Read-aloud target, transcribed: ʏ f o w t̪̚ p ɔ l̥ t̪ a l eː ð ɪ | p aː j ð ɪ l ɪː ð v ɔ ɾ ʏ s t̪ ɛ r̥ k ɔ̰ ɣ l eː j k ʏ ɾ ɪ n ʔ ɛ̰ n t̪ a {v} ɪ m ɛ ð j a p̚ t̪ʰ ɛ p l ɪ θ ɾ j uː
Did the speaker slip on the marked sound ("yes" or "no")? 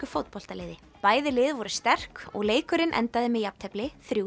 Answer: yes